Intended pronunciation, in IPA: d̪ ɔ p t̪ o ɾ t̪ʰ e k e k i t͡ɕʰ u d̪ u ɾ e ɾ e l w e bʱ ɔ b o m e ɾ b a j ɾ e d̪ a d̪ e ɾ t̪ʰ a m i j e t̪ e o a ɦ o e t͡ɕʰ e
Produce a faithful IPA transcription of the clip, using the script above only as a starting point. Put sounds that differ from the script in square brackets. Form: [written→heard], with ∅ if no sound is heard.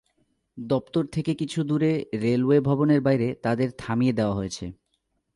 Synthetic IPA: d̪ ɔ p t̪ o ɾ t̪ʰ e k e k i t͡ɕʰ u d̪ u ɾ e ɾ e l w e bʱ ɔ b o [m→n] e ɾ b a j ɾ e [d̪→t̪] a d̪ e ɾ t̪ʰ a m i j e [t̪→d̪] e o a ɦ o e t͡ɕʰ e